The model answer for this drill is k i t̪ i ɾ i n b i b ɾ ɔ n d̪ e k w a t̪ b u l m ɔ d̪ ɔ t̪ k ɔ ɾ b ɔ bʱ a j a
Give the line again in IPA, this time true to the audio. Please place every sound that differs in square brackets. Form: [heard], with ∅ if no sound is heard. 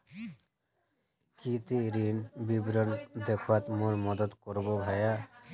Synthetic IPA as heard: k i t̪ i ɾ i n b i b ɾ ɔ n d̪ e [kʰ] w a t̪ [m] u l m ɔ d̪ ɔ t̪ k ɔ ɾ b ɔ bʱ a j a